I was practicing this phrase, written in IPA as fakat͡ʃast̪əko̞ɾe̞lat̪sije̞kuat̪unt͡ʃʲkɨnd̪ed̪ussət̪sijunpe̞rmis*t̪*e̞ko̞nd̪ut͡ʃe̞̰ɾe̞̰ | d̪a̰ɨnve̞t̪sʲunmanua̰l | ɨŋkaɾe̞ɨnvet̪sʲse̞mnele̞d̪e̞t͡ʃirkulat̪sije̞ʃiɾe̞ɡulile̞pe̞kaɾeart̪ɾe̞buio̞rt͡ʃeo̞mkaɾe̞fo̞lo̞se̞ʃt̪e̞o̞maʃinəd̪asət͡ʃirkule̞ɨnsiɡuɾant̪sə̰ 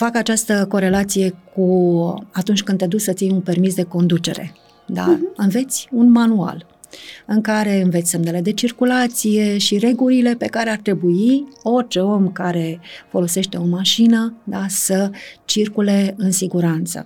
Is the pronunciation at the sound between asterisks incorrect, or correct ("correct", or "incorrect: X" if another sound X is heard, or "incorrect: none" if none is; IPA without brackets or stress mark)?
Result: incorrect: d̪